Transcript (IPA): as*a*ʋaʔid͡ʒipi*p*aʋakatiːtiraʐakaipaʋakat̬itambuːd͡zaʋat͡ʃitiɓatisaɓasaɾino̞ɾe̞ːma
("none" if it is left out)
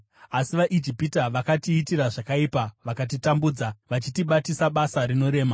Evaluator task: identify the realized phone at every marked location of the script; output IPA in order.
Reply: i, t

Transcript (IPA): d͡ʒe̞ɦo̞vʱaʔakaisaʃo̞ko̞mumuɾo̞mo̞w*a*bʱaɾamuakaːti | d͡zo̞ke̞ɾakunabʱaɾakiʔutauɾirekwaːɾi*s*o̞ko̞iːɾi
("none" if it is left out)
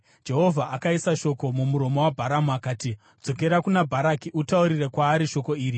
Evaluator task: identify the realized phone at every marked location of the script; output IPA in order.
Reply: a, ʃ

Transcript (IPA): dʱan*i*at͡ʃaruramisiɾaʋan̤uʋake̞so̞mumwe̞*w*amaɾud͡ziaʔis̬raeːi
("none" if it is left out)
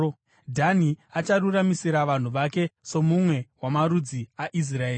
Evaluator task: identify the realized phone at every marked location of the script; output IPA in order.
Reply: i, w

